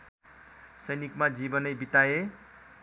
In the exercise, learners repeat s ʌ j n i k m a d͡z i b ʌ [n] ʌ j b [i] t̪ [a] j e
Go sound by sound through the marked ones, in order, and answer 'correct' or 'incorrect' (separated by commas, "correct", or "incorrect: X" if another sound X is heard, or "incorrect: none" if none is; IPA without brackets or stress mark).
correct, correct, correct